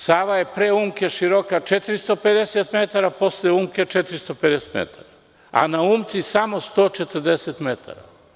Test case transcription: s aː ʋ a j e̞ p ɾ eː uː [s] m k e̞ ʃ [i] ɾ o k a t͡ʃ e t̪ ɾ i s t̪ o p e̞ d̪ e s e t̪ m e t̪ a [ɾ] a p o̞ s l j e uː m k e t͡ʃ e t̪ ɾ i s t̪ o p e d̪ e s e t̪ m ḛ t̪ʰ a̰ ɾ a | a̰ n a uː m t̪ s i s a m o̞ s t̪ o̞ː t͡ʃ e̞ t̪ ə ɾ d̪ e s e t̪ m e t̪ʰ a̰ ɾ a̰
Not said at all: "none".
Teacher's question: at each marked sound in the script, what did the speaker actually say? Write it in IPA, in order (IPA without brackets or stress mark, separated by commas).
none, i, ɾ